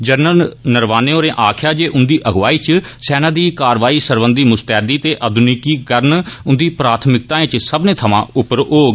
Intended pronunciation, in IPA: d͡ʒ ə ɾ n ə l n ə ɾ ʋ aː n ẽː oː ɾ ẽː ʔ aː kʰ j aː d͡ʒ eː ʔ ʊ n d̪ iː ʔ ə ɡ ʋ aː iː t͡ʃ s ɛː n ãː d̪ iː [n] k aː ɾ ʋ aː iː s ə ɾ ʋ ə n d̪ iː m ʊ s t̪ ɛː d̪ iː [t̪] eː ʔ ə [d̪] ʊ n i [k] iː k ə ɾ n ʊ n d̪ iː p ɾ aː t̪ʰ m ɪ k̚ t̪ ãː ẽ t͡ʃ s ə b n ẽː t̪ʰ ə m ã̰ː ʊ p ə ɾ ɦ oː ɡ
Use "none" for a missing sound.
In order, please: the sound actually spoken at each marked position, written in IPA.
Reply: none, t̪, d̪, k

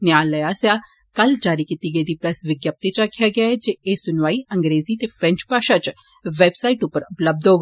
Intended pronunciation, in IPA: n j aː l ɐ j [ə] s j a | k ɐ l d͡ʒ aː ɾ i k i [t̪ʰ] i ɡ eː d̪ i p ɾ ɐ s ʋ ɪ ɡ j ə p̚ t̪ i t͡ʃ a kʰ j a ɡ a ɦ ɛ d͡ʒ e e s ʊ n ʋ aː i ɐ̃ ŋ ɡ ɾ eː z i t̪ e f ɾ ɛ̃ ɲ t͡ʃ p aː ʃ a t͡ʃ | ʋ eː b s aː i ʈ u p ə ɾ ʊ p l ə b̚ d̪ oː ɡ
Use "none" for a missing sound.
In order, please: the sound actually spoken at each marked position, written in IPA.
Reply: a, t̪

